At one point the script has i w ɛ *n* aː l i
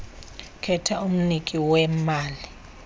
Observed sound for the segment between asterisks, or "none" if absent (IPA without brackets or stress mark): m